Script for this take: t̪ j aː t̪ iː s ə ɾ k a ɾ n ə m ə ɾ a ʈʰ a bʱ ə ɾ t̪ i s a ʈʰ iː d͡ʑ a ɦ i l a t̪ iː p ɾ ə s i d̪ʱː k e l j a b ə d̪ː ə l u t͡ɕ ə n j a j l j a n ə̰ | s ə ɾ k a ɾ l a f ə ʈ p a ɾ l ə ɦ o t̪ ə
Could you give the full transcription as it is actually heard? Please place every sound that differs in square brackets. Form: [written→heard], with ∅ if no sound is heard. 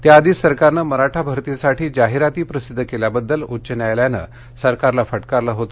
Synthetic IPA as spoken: t̪ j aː [t̪→d̪] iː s ə ɾ k a ɾ n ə m ə ɾ a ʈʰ a bʱ ə ɾ t̪ i s a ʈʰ iː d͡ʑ a ɦ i [l→ɾ] a t̪ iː p ɾ ə s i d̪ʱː k e l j a b ə d̪ː ə l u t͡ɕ ə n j a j l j a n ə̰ | s ə ɾ k a ɾ l a f ə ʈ [p→k] a ɾ l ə ɦ o t̪ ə